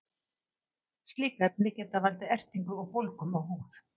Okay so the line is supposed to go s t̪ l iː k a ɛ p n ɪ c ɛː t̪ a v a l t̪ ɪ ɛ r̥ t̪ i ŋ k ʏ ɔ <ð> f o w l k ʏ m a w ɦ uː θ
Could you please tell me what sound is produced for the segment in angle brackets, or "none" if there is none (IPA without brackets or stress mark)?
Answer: ɣ